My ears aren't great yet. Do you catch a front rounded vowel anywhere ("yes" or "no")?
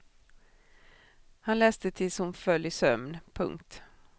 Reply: yes